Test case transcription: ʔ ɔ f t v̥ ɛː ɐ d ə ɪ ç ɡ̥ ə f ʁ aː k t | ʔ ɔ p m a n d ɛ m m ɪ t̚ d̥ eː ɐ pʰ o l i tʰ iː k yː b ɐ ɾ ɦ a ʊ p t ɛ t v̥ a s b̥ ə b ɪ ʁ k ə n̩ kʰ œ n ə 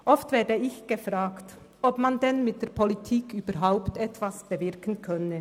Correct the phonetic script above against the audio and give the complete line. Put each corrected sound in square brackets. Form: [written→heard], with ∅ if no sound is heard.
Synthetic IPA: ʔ ɔ f t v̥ ɛː ɐ d ə ɪ ç ɡ̥ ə f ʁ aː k t | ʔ ɔ p m a n d ɛ [m→n] m ɪ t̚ d̥ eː ɐ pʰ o l i tʰ iː k yː b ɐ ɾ ɦ a ʊ p t ɛ t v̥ a s b̥ ə [b→v] ɪ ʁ k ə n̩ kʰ œ n ə